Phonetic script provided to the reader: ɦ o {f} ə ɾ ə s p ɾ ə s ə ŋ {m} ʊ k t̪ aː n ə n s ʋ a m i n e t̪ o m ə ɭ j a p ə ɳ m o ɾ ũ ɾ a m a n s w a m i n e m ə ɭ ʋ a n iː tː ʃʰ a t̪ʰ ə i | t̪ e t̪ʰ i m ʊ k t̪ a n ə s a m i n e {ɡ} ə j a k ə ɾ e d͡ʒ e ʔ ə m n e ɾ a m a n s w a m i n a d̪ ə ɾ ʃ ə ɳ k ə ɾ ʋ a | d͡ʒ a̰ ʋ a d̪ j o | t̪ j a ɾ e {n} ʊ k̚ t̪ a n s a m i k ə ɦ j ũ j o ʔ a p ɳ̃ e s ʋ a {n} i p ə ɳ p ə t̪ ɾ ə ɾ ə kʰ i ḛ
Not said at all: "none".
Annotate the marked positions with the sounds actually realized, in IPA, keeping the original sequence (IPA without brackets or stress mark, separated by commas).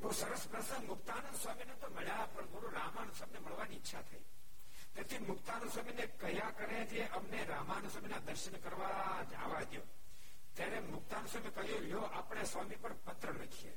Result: s, m, k, m, m